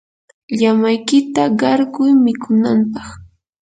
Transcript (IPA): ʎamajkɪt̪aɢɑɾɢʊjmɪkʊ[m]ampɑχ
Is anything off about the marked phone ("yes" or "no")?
yes